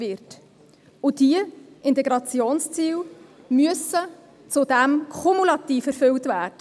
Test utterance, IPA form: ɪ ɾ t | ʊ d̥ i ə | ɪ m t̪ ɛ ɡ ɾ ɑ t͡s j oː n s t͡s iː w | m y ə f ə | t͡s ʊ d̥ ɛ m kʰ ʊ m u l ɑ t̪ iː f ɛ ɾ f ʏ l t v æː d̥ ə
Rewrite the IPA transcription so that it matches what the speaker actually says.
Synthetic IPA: ɪ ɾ t | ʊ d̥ i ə | ɪ n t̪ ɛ ɡ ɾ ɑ t͡s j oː n s t͡s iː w | m y ə s ə | t͡s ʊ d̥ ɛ m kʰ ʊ m u l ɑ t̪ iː f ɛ ɾ f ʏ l t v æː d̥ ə